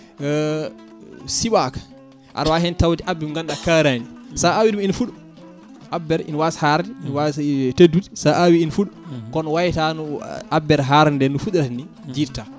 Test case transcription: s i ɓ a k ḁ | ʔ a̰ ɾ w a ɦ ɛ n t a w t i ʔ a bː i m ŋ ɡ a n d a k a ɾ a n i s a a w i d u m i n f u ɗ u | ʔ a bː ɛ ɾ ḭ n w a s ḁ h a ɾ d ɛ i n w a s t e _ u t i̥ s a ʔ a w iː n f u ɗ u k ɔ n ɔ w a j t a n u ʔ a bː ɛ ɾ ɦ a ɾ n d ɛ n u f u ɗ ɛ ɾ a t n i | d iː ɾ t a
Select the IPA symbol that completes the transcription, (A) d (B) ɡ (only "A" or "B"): A